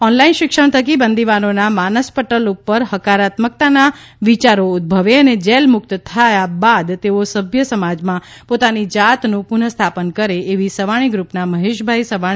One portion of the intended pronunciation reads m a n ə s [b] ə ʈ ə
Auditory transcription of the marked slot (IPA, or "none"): p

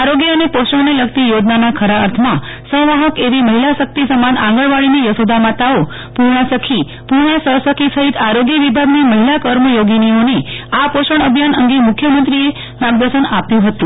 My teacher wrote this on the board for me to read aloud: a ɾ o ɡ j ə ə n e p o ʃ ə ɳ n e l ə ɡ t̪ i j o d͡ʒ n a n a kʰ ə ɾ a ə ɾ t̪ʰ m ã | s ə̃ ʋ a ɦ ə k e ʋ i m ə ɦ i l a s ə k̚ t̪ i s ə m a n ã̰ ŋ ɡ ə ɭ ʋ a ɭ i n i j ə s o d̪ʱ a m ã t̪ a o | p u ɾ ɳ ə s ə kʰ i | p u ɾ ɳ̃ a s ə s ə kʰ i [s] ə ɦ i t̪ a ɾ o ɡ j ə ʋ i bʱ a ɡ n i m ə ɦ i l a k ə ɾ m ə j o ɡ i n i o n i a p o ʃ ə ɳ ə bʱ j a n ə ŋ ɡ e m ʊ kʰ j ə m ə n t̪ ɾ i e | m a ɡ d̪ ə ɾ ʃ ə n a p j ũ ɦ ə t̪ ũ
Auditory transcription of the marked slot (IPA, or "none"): s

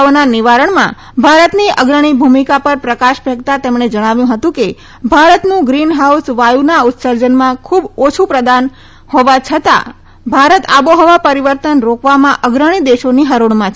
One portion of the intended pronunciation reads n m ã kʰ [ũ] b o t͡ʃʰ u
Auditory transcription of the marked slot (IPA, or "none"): u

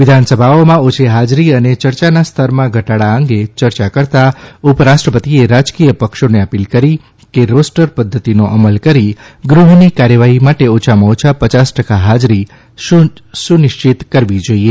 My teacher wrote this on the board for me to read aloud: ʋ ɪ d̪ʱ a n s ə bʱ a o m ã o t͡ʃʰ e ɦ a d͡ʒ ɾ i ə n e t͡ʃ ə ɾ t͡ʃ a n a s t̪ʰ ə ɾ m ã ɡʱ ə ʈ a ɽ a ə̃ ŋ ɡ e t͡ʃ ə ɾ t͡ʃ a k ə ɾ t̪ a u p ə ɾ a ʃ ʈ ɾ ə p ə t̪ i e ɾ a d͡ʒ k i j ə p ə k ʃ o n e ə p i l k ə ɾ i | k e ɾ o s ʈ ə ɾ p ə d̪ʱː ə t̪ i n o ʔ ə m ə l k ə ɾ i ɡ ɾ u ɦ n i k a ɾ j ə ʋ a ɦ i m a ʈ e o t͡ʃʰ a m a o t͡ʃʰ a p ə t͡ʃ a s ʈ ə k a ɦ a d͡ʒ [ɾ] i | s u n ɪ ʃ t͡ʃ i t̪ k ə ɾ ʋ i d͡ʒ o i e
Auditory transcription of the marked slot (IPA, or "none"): ɾ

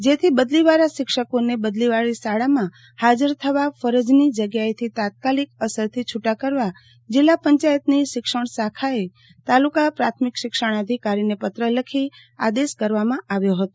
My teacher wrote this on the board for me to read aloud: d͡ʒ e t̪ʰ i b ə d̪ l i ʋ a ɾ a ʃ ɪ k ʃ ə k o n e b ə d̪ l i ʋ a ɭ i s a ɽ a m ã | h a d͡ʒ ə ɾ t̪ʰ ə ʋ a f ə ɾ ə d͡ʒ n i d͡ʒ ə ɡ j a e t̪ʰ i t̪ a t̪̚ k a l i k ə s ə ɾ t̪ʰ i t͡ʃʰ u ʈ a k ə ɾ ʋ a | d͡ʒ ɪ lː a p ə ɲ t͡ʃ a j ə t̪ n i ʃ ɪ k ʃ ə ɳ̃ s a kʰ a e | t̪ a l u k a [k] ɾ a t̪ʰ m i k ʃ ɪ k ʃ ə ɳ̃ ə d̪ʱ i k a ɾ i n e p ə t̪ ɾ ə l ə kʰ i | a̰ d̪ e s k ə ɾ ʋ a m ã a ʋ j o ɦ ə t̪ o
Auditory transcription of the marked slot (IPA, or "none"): p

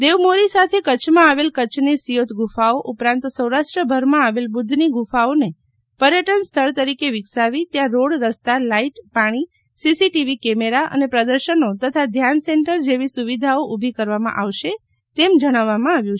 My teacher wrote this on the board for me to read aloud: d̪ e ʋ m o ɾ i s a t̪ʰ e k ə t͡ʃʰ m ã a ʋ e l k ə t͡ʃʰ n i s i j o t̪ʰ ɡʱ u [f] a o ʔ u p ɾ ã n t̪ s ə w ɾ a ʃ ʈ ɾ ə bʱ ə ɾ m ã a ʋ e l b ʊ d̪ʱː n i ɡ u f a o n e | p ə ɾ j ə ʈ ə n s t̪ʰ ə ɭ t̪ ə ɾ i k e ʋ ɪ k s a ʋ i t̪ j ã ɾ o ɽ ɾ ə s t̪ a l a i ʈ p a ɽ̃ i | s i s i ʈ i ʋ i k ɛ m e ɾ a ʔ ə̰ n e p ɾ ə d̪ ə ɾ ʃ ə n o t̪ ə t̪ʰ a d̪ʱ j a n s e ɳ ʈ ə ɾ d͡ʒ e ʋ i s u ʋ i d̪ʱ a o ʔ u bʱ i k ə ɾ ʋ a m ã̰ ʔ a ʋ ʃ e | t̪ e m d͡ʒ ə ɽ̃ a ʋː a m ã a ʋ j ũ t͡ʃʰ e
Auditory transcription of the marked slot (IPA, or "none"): f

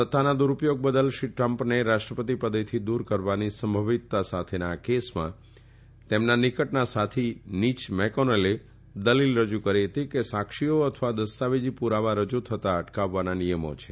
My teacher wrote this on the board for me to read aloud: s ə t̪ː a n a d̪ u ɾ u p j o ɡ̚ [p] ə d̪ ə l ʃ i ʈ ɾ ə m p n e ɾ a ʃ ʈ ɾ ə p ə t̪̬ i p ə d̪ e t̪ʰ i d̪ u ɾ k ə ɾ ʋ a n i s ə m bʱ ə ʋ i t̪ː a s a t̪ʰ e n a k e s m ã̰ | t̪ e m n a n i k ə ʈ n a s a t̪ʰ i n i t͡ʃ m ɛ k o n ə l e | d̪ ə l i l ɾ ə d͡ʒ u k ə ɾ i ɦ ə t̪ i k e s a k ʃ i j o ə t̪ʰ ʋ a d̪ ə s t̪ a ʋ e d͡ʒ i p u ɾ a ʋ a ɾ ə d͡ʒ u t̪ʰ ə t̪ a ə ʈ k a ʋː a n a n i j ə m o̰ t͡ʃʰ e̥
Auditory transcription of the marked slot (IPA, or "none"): b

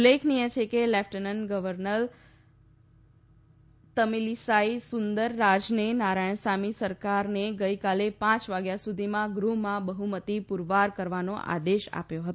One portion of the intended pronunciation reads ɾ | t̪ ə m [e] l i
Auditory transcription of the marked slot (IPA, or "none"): i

